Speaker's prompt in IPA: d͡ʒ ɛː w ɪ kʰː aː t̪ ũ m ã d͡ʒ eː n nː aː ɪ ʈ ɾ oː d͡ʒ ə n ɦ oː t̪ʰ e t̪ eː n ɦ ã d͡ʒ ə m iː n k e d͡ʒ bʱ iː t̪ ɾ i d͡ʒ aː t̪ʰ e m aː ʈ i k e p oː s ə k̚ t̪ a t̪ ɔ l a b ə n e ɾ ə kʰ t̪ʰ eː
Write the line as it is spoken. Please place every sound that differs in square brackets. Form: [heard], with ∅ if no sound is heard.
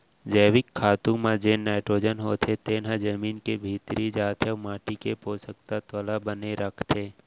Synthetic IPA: d͡ʒ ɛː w ɪ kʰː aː t̪ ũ m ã d͡ʒ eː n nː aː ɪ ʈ ɾ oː d͡ʒ ə n ɦ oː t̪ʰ e t̪ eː n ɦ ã d͡ʒ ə m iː n k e [∅] bʱ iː t̪ ɾ i d͡ʒ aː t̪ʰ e m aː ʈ i k e p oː s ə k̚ t̪ a t̪ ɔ l a b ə n e ɾ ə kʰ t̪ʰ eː